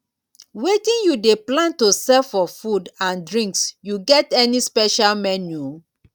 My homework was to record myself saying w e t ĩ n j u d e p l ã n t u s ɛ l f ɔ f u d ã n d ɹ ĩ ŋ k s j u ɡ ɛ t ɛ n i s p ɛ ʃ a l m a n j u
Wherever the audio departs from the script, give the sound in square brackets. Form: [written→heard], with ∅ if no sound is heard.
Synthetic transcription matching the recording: w e t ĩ n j u d e p l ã n t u s ɛ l f ɔ f u d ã n d ɹ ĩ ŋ k s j u ɡ ɛ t ɛ n i s p ɛ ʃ a l m [a→ɛ] n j u